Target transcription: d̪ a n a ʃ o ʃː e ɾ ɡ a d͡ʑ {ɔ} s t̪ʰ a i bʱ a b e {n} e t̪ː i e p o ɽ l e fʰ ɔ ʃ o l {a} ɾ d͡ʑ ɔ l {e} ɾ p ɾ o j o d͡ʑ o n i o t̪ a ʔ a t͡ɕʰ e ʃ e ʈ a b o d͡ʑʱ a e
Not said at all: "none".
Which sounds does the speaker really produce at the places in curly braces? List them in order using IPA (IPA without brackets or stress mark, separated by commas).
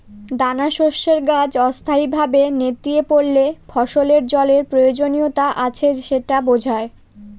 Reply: ɔ, n, e, e